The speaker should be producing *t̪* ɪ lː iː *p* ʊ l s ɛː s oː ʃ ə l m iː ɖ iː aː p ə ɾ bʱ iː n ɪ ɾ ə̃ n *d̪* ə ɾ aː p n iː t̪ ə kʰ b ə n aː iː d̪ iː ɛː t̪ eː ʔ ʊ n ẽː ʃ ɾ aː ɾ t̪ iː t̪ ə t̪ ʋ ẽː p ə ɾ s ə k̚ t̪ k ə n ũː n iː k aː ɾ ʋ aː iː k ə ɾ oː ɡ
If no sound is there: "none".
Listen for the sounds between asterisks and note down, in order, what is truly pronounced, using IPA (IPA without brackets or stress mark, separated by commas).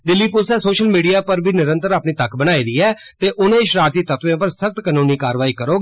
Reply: d̪, p, t̪